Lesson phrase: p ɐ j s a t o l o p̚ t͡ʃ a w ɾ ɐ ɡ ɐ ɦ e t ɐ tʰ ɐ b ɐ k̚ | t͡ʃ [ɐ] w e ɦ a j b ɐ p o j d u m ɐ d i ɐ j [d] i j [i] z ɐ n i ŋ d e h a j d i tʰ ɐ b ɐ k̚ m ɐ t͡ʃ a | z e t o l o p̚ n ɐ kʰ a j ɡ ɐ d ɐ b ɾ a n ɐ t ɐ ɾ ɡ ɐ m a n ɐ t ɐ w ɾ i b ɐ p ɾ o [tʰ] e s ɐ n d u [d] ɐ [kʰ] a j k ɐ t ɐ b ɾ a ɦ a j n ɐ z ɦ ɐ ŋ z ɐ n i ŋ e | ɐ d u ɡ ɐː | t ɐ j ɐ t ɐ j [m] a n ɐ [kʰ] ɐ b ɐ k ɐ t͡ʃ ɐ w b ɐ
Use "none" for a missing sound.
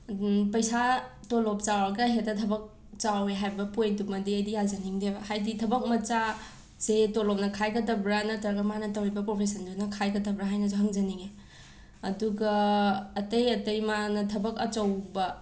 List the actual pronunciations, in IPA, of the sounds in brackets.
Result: a, d, a, pʰ, n, kʰ, m, tʰ

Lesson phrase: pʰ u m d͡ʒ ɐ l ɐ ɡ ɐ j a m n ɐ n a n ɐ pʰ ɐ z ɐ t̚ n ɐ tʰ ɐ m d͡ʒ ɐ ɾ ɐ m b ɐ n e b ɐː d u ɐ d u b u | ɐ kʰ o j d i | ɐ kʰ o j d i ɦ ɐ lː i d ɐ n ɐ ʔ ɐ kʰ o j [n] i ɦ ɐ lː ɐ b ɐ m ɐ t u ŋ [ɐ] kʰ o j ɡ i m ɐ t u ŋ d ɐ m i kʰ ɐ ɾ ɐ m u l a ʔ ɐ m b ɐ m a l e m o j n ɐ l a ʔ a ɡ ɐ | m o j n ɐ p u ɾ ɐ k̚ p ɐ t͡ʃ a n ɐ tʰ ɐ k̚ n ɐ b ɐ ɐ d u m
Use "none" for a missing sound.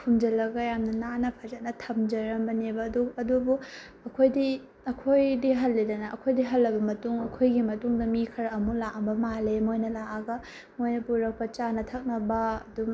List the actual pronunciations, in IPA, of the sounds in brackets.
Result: d, ɐ

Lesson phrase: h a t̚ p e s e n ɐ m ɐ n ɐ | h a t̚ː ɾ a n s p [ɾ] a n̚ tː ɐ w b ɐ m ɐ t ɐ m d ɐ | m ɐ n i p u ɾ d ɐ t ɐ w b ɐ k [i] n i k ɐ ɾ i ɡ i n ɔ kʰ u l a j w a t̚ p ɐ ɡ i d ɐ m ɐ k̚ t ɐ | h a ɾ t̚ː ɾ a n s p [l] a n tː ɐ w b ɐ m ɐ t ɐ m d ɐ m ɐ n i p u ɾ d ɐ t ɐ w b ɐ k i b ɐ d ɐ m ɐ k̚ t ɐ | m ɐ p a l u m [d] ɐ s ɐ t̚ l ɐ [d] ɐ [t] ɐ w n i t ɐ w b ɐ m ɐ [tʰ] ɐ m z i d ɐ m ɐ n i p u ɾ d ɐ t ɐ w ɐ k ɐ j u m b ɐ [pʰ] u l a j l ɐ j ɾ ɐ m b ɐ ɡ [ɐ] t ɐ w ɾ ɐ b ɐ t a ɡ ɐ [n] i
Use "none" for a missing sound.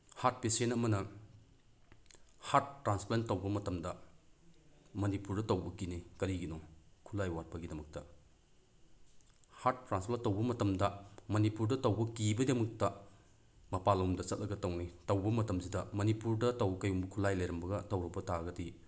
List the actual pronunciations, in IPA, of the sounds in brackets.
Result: l, i, l, d, ɡ, t, t, kʰ, ɐ, d

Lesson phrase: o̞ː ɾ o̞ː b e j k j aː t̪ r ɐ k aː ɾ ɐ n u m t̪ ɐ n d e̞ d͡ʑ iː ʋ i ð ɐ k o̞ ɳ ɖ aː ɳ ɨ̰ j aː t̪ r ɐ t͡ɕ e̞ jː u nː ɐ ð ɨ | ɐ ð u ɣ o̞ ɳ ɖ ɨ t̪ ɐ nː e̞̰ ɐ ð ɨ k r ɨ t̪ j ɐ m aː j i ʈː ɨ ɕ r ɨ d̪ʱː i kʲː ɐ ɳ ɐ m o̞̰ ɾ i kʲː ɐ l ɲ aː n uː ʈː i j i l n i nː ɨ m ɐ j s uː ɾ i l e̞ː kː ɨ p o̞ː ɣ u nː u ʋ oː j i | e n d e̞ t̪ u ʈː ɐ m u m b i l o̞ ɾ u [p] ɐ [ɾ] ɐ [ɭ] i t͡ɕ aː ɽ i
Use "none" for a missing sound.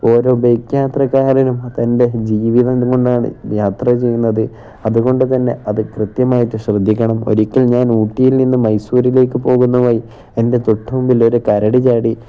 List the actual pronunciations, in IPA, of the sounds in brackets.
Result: k, ɾ, ɽ

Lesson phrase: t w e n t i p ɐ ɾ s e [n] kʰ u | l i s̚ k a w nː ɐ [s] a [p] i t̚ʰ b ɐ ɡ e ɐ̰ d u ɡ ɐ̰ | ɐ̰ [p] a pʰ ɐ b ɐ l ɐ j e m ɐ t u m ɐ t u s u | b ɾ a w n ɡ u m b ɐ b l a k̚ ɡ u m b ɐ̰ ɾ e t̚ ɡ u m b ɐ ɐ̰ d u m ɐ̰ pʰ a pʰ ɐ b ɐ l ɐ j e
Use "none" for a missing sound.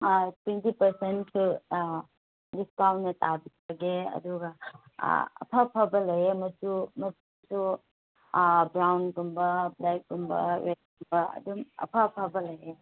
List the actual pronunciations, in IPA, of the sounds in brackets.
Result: n, t, b, pʰ

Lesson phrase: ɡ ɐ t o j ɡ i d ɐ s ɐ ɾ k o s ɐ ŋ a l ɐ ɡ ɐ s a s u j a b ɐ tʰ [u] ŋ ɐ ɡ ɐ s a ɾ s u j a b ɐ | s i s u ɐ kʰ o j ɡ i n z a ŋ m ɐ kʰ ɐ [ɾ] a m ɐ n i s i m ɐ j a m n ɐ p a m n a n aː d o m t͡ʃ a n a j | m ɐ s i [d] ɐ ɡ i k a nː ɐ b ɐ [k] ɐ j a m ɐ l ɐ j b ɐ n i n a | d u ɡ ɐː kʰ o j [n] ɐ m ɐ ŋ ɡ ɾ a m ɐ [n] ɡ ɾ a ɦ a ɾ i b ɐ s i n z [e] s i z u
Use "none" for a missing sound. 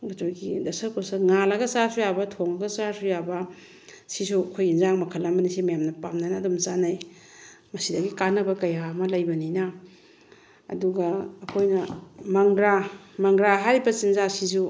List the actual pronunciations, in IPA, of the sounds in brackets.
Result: o, l, d, k, n, ŋ, a

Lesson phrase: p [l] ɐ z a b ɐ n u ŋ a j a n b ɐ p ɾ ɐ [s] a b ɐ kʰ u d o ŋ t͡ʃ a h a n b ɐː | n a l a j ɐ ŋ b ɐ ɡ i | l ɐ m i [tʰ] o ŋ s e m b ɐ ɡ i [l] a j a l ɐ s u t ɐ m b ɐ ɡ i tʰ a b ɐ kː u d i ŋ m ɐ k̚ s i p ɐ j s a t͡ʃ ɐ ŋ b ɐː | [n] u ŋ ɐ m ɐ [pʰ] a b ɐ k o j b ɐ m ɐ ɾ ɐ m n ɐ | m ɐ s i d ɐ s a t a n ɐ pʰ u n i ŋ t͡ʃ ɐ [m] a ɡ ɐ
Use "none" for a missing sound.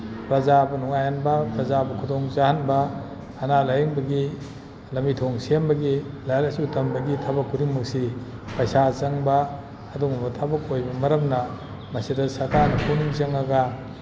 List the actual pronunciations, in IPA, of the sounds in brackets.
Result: ɾ, z, tʰ, l, d, tʰ, ŋ

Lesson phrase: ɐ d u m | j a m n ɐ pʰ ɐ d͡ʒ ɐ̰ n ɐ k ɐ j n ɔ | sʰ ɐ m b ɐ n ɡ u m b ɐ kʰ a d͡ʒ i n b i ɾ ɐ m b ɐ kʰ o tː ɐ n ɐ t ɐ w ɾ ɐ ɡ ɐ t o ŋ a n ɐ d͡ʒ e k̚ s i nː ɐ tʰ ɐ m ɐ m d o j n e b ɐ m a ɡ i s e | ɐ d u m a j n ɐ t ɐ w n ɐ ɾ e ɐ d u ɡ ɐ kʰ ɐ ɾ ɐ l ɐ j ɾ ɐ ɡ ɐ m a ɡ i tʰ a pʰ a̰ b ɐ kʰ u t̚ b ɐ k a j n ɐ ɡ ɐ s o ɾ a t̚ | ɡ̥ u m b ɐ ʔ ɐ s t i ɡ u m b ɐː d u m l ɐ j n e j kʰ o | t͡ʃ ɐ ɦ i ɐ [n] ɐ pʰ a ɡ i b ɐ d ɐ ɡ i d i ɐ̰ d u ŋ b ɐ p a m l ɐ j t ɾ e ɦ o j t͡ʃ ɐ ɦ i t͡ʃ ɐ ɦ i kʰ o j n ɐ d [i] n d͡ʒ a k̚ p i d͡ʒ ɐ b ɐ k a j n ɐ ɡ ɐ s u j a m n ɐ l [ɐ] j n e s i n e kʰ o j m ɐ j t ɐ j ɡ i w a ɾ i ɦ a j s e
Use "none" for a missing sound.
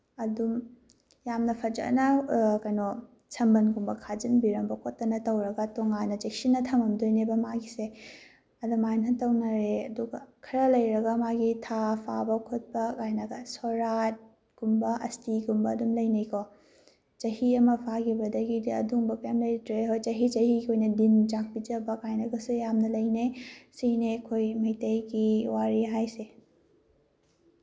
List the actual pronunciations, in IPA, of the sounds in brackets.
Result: m, i, ɐ

